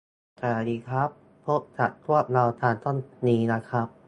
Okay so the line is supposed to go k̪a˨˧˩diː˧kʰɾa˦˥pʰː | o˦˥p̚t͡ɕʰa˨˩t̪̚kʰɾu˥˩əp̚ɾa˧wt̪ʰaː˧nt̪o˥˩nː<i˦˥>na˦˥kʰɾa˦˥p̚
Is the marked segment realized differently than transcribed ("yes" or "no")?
yes